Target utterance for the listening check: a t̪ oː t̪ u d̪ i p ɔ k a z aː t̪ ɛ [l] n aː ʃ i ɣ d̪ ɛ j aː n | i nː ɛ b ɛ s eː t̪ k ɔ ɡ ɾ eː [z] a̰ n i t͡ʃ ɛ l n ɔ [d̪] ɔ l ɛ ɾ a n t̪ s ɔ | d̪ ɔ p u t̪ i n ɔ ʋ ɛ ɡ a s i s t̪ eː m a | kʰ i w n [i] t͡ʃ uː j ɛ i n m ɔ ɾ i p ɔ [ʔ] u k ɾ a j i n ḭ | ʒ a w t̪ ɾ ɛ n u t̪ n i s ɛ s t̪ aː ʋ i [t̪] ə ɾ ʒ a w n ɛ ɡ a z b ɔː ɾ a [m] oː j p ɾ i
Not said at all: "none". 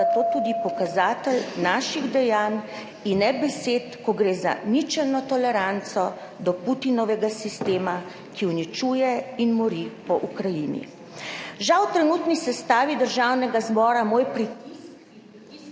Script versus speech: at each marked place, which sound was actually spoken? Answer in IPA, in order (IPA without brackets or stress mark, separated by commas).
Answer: l, z, t̪, i, ʔ, d̪, m